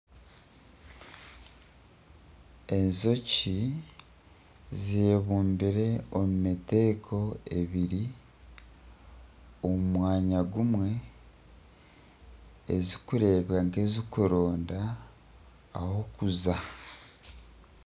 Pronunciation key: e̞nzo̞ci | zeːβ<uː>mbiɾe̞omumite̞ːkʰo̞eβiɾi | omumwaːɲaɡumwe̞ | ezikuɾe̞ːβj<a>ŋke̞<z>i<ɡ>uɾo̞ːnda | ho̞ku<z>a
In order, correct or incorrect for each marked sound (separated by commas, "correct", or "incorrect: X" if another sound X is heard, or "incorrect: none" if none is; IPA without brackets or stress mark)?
correct, correct, correct, incorrect: k, correct